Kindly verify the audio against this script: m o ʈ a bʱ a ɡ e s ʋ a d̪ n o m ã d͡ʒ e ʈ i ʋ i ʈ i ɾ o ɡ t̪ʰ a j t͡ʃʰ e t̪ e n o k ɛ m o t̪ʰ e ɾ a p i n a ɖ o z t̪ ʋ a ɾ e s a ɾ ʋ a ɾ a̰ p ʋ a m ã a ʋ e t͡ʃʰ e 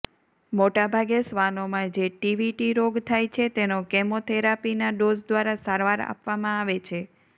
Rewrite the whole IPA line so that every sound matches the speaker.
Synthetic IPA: m o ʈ a bʱ a ɡ e s ʋ a n o m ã d͡ʒ e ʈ i ʋ i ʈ i ɾ o ɡ t̪ʰ a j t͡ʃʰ e t̪ e n o k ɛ m o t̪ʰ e ɾ a p i n a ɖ o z d̪ ʋ a ɾ a s a ɾ ʋ a ɾ a̰ p ʋ a m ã a ʋ e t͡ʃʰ e

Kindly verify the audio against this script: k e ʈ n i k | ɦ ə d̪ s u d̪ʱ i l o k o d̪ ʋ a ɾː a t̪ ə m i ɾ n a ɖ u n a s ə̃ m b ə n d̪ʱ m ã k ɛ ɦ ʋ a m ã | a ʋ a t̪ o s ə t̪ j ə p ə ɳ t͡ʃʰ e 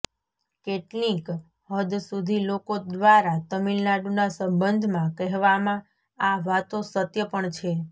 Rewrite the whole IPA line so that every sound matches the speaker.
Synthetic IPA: k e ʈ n i k | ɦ ə d̪ s u d̪ʱ i l o k o d̪ ʋ a ɾ a t̪ ə m i l n a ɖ u n a s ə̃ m b ə n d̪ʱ m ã k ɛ ɦ ʋ a m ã | a ʋ a t̪ o s ə t̪ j ə p ə ɳ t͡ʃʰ e

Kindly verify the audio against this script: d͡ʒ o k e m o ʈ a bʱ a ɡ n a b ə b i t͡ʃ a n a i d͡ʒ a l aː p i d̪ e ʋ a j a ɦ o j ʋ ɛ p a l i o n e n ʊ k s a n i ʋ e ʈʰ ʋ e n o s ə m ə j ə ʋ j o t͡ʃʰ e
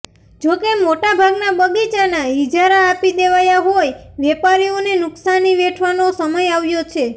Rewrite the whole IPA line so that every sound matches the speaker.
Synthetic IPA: d͡ʒ o k e m o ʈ a bʱ a ɡ n a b ə ɡ i t͡ʃ a n a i d͡ʒ a ɾ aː p i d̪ e ʋ a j a ɦ o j ʋ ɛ p a ɾ i o n e n ʊ k s a n i ʋ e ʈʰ ʋ a n o s ə m ə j a ʋ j o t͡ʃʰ e

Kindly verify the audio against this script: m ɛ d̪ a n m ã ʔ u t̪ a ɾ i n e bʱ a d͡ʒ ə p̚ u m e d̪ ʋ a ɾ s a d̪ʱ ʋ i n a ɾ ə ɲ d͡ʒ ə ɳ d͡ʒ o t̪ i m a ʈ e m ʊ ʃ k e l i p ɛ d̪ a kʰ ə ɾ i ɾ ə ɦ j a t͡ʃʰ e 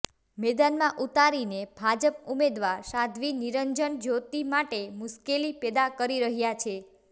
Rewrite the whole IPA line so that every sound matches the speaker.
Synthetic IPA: m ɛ d̪ a n m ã ʔ u t̪ a ɾ i n e bʱ a d͡ʒ ə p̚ u m e d̪ ʋ a ɾ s a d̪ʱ ʋ i n i ɾ ə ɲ d͡ʒ ə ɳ d͡ʒ o t̪ i m a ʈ e m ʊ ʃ k e l i p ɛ d̪ a k ə ɾ i ɾ ə ɦ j a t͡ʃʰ e

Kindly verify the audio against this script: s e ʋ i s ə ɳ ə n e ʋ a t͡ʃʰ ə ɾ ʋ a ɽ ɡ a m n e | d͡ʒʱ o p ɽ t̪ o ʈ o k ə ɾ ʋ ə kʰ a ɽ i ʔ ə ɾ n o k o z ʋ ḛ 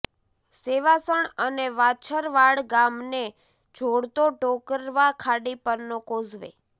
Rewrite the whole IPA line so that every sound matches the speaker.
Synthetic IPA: s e ʋ a s ə ɳ ə n e ʋ a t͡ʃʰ ə ɾ ʋ a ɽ ɡ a m n e | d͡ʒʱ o ɽ t̪ o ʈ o k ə ɾ ʋ a kʰ a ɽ i p ə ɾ n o k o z ʋ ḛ

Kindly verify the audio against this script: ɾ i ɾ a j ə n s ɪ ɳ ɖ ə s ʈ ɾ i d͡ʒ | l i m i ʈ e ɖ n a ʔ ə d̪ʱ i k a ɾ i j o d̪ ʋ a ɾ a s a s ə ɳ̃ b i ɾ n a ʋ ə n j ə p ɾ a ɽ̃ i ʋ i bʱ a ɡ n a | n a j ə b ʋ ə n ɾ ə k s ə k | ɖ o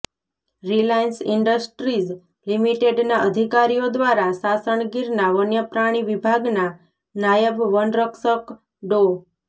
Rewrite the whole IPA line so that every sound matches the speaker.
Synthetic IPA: ɾ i l a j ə n s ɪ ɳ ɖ ə s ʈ ɾ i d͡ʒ | l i m i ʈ e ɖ n a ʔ ə d̪ʱ i k a ɾ i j o d̪ ʋ a ɾ a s a s ə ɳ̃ ɡ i ɾ n a ʋ ə n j ə p ɾ a ɽ̃ i ʋ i bʱ a ɡ n a | n a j ə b ʋ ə n ɾ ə k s ə k | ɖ o

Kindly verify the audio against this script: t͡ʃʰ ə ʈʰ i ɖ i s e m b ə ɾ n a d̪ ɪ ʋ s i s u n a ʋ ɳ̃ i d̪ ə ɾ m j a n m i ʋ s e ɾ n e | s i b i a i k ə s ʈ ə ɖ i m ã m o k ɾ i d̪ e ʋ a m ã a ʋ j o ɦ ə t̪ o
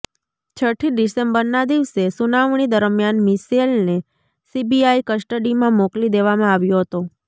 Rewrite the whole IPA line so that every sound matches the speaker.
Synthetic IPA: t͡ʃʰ ə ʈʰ i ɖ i s e m b ə ɾ n a d̪ i ʋ s e s u n a ʋ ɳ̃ i d̪ ə ɾ m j a n m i s e l n e | s i b i a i k ə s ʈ ə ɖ i m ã m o k l i d̪ e ʋ a m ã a ʋ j o ɦ ə t̪ o

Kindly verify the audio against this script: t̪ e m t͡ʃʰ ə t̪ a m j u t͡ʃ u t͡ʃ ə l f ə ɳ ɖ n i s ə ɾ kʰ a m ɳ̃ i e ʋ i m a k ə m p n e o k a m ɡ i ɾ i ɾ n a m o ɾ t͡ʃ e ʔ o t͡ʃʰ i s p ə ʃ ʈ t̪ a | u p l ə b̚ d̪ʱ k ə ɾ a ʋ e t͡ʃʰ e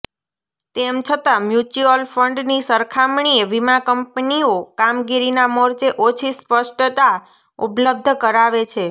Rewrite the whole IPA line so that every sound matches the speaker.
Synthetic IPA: t̪ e m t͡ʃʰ ə t̪ a m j u t͡ʃ u ə l f ə ɳ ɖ n i s ə ɾ kʰ a m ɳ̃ i e ʋ i m a k ə m p n i o k a m ɡ i ɾ i n a m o ɾ t͡ʃ e ʔ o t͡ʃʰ i s p ə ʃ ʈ t̪ a | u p l ə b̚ d̪ʱ k ə ɾ a ʋ e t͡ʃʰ e

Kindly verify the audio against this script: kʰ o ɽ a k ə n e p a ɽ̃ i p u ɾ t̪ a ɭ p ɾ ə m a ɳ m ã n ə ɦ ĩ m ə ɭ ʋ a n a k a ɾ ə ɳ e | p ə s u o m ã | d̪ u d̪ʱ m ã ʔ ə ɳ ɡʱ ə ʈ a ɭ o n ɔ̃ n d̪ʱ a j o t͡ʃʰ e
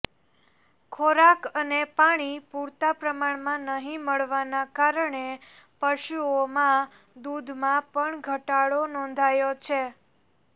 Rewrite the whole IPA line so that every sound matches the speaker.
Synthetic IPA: kʰ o ɾ a k ə n e p a ɽ̃ i p u ɾ t̪ a p ɾ ə m a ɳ m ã n ə ɦ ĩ m ə ɭ ʋ a n a k a ɾ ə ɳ e | p ə ʃ u o m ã | d̪ u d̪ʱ m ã p ə ɳ ɡʱ ə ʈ a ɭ o n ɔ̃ n d̪ʱ a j o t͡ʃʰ e

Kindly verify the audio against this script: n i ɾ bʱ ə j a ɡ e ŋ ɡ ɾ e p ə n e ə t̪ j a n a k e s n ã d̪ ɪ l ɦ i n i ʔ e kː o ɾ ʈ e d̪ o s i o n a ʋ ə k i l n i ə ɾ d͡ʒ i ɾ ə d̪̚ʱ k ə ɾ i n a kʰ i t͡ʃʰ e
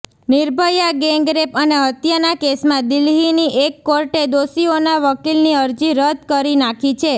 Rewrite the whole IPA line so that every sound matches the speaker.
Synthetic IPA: n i ɾ bʱ ə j a ɡ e ŋ ɡ ɾ e p ə n e ə t̪ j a n a k e s m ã d̪ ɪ l ɦ i n i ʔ e kː o ɾ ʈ e d̪ o s i o n a ʋ ə k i l n i ə ɾ d͡ʒ i ɾ ə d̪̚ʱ k ə ɾ i n a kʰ i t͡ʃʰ e

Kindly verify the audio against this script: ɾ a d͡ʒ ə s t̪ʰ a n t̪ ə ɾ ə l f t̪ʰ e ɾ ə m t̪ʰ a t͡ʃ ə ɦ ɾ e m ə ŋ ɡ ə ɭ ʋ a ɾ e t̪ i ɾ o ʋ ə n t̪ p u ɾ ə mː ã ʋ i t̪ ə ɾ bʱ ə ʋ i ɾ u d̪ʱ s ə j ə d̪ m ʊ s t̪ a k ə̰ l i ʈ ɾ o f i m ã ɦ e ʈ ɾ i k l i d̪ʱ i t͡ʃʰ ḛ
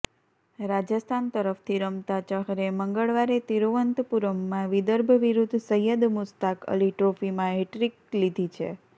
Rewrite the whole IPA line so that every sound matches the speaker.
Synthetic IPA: ɾ a d͡ʒ ə s t̪ʰ a n t̪ ə ɾ ə f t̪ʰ i ɾ ə m t̪ a t͡ʃ ə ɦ ɾ e m ə ŋ ɡ ə ɭ ʋ a ɾ e t̪ i ɾ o ʋ ə n t̪ p u ɾ ə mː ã ʋ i d̪ ə ɾ bʱ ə ʋ i ɾ u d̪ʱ s ə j ə d̪ m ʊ s t̪ a k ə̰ l i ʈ ɾ o f i m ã ɦ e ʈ ɾ i k l i d̪ʱ i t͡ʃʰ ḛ

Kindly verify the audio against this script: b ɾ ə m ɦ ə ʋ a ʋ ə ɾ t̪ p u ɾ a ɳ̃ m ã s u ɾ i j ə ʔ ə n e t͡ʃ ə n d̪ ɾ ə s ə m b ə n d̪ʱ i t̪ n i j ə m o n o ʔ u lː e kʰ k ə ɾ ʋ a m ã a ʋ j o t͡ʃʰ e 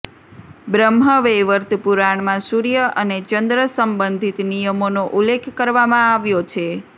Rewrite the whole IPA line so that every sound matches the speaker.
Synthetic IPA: b ɾ ə m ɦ ə ʋ e ʋ ə ɾ t̪ p u ɾ a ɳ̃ m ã s u ɾ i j ə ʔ ə n e t͡ʃ ə n d̪ ɾ ə s ə m b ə n d̪ʱ i t̪ n i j ə m o n o ʔ u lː e kʰ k ə ɾ ʋ a m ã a ʋ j o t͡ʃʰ e

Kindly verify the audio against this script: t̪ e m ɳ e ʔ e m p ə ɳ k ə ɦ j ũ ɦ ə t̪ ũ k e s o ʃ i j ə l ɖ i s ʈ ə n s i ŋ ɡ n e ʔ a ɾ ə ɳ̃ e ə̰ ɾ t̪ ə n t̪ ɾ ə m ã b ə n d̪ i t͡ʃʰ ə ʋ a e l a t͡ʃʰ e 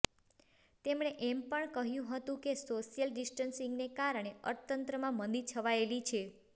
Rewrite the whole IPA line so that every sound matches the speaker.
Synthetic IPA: t̪ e m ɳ e ʔ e m p ə ɳ k ə ɦ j ũ ɦ ə t̪ ũ k e s o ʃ i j ə l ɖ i s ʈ ə n s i ŋ ɡ n e k a ɾ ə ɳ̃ e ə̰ ɾ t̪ ə n t̪ ɾ ə m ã m ə n d̪ i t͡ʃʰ ə ʋ a e l i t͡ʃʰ e

